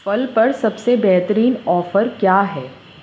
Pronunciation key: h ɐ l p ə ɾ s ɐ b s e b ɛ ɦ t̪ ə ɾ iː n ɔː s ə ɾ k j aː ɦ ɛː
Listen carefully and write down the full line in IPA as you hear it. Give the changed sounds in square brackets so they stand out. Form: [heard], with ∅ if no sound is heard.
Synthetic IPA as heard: [f] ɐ l p [ɐ] ɾ s ɐ b s e b ɛ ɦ t̪ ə ɾ iː n ɔː [f] ə ɾ k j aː ɦ ɛː